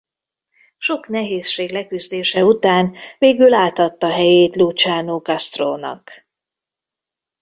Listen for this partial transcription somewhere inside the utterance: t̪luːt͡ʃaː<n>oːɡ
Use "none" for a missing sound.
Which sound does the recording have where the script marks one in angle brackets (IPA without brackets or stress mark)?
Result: n